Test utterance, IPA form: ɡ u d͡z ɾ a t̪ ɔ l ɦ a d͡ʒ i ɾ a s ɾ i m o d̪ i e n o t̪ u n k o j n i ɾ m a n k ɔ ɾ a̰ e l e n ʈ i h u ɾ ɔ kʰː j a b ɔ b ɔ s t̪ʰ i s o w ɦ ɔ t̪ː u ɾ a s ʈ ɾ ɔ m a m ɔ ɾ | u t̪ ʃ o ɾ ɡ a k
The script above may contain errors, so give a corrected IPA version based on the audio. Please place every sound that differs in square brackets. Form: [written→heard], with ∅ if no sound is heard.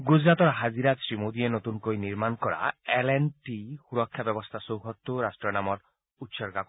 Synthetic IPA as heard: ɡ u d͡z ɾ a t̪ ɔ [l→ɾ] ɦ a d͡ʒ i ɾ a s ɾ i m o d̪ i e n o t̪ u n k o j n i ɾ m a n k ɔ ɾ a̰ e l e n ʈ i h u ɾ ɔ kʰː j a b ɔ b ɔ s t̪ʰ [i→a] s o w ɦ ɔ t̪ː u ɾ a s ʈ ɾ ɔ [m→n] a m ɔ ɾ | u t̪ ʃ [o→ɔ] ɾ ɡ a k